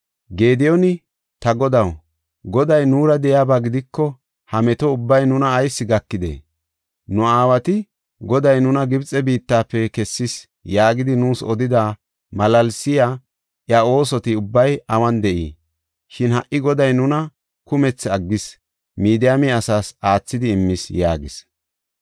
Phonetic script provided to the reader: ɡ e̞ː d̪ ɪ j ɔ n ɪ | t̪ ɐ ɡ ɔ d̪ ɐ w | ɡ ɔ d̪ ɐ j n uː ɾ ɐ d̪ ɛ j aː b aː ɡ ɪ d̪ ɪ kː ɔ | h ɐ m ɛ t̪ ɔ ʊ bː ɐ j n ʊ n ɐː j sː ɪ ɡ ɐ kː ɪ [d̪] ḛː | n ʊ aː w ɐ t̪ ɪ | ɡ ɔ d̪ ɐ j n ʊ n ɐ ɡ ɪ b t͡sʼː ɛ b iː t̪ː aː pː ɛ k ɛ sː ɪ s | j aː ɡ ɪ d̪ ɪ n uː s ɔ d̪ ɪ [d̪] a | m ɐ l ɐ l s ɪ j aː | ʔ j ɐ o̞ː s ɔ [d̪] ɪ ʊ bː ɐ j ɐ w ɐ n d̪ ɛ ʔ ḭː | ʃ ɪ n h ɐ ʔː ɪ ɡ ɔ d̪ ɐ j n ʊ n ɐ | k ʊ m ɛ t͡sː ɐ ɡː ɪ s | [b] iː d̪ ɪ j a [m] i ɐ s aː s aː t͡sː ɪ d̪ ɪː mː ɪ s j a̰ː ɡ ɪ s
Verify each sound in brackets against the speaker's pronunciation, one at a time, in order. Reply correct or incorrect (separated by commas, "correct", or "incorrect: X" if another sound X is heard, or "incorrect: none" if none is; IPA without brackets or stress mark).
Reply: correct, correct, incorrect: t̪, incorrect: m, correct